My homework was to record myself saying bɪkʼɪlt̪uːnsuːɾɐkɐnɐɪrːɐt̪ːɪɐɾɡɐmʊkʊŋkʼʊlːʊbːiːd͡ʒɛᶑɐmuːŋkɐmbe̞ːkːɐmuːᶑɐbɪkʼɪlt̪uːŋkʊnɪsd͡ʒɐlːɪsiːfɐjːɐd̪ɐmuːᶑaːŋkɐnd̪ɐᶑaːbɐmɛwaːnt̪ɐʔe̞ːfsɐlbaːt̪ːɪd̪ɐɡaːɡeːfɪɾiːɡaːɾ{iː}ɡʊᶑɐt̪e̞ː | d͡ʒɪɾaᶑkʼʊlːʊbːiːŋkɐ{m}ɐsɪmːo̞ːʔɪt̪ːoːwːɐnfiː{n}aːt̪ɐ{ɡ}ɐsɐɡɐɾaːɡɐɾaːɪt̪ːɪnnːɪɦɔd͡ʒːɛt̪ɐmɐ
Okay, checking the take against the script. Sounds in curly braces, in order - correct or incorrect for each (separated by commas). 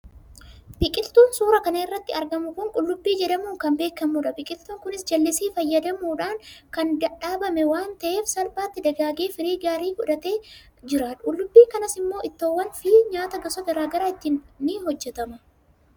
correct, incorrect, incorrect, correct